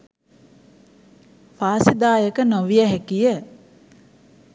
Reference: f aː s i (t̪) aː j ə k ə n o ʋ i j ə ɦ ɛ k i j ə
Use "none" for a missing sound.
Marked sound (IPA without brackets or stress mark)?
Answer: d̪